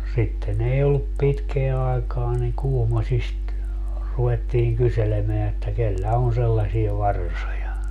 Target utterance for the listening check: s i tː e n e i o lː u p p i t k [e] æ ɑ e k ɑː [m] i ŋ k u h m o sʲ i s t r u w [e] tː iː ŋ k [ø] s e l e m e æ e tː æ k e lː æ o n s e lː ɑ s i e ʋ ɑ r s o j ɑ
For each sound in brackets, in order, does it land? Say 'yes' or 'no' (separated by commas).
yes, no, yes, no